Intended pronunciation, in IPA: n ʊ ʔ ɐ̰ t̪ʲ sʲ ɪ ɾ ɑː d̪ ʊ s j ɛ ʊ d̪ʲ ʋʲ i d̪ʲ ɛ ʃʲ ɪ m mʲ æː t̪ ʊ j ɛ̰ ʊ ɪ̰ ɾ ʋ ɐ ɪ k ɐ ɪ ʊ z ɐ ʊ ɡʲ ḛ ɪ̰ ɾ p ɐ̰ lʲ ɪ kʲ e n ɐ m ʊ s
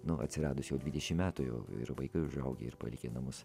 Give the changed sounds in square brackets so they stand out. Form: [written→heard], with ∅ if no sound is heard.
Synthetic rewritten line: n ʊ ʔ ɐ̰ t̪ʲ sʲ ɪ ɾ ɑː d̪ ʊ s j ɛ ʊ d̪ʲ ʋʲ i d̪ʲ ɛ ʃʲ ɪ m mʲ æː t̪ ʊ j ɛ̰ ʊ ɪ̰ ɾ ʋ ɐ ɪ k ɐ ɪ ʊ [z→ʒ] ɐ ʊ ɡʲ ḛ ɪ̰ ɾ p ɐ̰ lʲ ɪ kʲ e n ɐ m ʊ s